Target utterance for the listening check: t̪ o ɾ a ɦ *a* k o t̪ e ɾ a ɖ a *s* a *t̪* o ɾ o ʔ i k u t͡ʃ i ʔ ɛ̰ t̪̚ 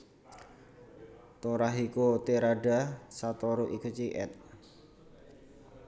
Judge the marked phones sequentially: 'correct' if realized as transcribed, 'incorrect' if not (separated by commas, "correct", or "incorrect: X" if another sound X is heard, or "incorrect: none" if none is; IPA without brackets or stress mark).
incorrect: i, correct, correct